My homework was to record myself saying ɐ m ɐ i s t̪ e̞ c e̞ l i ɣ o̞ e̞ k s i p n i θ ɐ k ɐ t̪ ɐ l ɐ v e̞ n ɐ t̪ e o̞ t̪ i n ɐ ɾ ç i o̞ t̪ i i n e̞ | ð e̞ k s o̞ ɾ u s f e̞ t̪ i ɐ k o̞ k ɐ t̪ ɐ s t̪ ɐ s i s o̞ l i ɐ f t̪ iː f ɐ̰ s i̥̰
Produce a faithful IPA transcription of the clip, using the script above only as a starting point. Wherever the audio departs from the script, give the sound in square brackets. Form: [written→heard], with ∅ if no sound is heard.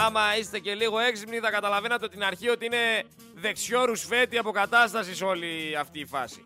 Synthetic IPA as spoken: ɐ m ɐ i s t̪ e̞ c e̞ l i ɣ o̞ e̞ k s i p n i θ ɐ k ɐ t̪ ɐ l ɐ v e̞ n ɐ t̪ e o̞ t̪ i n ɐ ɾ ç i o̞ t̪ i i n e̞ | ð e̞ k s o̞ ɾ u s f e̞ t̪ i ɐ [k→p] o̞ k ɐ t̪ ɐ s t̪ ɐ s i s o̞ l i ɐ f t̪ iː f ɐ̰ s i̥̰